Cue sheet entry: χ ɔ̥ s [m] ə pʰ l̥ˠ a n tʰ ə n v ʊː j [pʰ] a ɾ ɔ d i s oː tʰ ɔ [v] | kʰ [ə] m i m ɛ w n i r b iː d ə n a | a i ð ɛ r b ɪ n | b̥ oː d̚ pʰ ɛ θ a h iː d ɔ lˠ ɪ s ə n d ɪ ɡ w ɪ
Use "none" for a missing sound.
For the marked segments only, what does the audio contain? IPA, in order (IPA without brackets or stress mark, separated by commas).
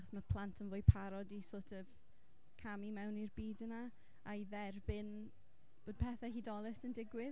m, pʰ, v, a